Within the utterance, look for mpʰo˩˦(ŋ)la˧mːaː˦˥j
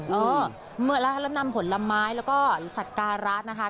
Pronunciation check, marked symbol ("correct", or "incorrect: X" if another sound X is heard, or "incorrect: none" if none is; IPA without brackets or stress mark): incorrect: n